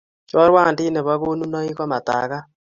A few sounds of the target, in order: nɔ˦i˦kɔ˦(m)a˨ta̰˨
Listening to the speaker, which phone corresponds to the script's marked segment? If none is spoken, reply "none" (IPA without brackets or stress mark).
m